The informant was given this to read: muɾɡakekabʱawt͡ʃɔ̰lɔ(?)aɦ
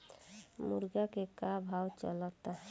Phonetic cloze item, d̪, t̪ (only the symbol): t̪